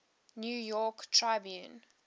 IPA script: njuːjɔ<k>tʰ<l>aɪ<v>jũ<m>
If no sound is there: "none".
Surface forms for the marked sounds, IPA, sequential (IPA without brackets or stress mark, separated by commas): k, ɹ, b, n